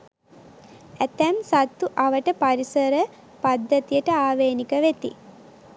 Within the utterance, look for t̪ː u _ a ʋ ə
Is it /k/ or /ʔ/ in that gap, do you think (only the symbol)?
ʔ